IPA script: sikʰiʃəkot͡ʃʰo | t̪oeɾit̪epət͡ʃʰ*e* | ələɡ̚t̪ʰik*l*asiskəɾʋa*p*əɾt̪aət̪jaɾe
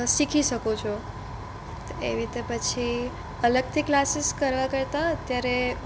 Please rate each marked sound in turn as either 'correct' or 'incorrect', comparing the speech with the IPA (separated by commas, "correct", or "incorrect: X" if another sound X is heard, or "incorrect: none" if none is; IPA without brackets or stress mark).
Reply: incorrect: i, correct, incorrect: k